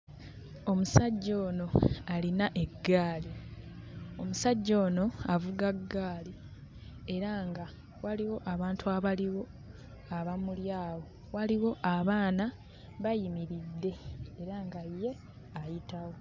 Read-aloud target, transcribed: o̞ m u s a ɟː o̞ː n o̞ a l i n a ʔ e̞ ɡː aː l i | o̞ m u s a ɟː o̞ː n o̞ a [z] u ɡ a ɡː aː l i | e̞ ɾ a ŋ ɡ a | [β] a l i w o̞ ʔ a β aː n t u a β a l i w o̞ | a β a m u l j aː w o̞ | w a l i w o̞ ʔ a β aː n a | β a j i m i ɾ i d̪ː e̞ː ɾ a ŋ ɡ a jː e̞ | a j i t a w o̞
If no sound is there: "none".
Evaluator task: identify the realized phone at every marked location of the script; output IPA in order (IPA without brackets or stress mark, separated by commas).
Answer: v, w